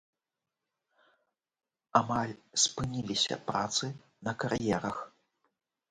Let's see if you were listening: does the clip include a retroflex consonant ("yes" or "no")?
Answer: no